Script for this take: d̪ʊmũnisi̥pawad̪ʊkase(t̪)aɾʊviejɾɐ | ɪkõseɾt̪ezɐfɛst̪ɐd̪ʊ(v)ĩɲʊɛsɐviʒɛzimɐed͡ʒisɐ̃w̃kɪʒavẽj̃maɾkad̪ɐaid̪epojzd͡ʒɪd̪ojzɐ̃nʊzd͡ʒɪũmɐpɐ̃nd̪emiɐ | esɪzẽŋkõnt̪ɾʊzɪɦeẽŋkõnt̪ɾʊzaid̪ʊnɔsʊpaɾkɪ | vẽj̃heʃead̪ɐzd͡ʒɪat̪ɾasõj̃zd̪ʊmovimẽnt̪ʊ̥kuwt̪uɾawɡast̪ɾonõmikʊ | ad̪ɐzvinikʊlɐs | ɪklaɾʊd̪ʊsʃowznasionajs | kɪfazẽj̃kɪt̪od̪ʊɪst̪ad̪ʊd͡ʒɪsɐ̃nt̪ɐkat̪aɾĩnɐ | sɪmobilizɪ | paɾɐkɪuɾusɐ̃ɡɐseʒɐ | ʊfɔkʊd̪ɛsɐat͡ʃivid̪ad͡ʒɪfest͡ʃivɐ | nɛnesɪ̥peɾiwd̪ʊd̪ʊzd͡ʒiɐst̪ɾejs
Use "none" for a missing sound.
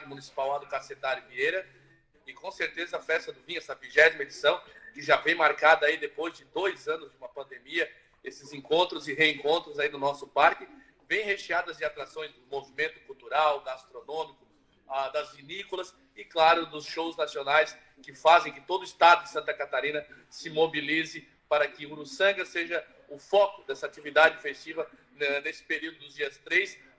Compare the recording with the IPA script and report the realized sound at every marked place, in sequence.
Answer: t̪, v

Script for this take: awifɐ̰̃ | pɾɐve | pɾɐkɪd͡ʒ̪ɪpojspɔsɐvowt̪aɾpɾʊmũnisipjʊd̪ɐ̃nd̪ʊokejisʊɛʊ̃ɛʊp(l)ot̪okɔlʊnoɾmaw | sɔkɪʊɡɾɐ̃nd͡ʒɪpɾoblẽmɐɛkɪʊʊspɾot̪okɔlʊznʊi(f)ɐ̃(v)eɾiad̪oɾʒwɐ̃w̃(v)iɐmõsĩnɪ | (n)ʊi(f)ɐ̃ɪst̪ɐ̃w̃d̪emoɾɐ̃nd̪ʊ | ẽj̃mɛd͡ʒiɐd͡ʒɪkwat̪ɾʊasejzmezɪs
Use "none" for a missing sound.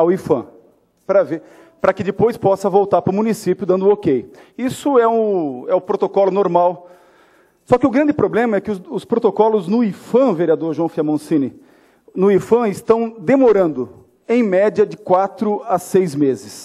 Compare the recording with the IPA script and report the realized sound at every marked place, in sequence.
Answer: ɾ, f, v, f, n, f

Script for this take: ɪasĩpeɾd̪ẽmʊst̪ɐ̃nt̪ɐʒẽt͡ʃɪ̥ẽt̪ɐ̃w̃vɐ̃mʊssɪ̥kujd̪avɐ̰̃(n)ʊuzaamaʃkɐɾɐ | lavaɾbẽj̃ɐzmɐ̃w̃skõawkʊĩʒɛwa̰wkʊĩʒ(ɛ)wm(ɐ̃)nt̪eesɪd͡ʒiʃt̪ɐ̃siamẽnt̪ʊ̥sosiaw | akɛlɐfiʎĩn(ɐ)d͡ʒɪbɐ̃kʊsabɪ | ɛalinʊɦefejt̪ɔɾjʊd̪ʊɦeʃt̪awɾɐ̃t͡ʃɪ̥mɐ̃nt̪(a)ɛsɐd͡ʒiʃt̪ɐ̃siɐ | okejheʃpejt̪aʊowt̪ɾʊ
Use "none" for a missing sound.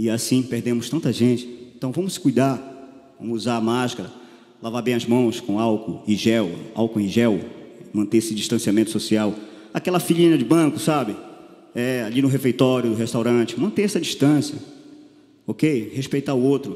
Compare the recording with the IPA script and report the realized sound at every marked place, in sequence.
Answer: m, ɛ, ɐ̃, ɐ, e

